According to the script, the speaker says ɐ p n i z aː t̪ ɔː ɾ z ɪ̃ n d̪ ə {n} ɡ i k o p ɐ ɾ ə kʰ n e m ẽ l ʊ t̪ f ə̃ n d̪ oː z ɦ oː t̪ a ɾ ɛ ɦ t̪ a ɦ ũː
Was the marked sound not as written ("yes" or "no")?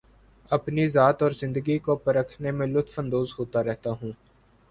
yes